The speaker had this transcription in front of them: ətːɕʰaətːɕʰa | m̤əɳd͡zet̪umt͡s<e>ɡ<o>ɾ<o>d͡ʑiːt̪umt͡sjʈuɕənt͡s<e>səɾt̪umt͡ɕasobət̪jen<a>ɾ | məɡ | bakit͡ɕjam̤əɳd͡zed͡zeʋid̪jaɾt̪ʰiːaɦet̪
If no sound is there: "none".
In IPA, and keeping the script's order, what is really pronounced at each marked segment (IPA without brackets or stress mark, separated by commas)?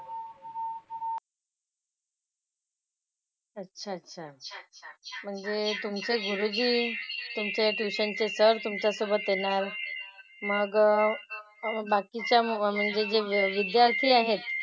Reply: e, u, u, e, a